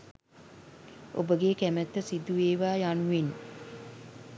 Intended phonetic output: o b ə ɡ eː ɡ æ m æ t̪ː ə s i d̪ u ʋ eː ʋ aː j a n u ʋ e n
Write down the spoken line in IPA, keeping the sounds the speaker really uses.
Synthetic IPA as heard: o b ə ɡ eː k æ m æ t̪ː ə s i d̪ u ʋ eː ʋ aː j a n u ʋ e n